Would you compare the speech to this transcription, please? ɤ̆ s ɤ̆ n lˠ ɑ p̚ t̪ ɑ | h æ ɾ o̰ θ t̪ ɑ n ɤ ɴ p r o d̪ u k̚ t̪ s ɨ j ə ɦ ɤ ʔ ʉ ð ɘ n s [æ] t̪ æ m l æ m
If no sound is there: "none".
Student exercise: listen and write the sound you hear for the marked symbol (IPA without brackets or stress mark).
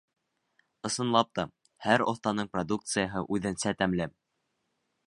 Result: æ